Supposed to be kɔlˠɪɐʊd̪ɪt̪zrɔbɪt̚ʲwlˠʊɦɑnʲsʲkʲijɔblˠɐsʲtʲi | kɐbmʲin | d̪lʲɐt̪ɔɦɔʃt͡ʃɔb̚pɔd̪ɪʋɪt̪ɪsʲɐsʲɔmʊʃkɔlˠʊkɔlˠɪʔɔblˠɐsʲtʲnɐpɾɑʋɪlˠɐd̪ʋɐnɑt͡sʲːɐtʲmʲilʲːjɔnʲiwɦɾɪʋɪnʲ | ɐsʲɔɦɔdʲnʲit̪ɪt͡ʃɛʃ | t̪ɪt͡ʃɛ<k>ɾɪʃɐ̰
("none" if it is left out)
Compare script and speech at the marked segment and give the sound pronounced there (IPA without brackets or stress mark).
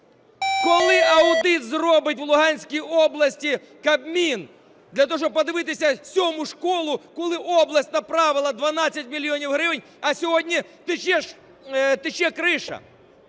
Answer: k